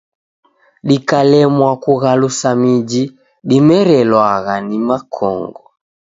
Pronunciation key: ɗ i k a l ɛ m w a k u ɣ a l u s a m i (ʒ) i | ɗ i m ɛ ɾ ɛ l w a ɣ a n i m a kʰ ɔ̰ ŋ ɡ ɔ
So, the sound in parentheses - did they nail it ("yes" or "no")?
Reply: no